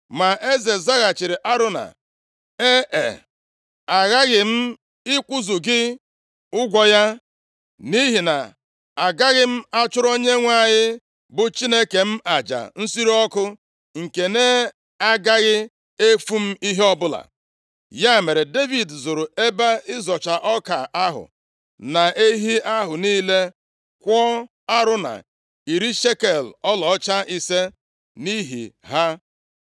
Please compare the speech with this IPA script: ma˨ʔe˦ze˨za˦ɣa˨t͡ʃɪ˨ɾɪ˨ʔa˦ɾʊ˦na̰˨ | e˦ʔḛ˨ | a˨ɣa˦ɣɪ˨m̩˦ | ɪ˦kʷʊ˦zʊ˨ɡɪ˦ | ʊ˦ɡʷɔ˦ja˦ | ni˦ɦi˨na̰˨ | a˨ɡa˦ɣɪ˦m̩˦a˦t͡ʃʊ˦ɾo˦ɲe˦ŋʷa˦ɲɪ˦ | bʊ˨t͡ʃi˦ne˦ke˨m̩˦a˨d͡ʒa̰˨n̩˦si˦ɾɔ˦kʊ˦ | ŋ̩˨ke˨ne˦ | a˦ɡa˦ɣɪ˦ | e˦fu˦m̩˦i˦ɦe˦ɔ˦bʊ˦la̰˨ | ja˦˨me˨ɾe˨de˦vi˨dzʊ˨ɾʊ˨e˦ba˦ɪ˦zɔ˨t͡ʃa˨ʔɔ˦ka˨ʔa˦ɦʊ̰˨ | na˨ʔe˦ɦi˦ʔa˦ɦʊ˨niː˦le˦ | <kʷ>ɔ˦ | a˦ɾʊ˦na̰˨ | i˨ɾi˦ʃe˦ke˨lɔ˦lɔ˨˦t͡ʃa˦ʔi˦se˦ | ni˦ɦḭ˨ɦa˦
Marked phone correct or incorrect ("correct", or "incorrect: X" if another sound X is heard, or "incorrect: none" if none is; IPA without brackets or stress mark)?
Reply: correct